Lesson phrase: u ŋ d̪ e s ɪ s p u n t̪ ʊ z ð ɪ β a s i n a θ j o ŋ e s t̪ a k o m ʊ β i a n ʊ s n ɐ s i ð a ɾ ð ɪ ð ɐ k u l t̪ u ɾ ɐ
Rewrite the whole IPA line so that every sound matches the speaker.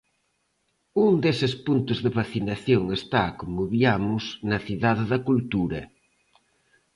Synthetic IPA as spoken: u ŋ d̪ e s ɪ s p u n t̪ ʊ z ð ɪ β a θ i n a θ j o ŋ e s t̪ a k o m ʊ β i a m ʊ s n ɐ θ i ð a ð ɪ ð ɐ k u l t̪ u ɾ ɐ

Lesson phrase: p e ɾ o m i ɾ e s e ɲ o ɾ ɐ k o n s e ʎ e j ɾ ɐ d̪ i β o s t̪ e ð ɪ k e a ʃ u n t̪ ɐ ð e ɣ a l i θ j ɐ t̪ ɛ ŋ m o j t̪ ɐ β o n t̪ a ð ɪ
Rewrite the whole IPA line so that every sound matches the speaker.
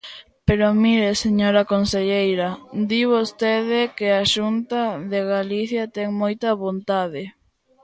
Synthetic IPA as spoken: p e ɾ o m i ɾ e s e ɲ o ɾ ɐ k o n s e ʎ e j ɾ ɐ d̪ i β o s t̪ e ð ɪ k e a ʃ u n t̪ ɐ ð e ɣ a l i θ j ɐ t̪ ɛ ŋ m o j t̪ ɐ β o n t̪ a ð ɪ

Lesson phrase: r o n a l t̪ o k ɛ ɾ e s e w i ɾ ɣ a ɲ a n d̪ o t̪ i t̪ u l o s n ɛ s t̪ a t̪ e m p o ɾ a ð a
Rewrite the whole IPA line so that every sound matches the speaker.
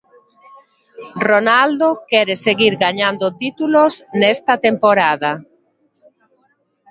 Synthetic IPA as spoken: r o n a l d̪ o k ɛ ɾ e s e ɣ i ɾ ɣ a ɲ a n d̪ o t̪ i t̪ u l o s n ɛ s t̪ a t̪ e m p o ɾ a ð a

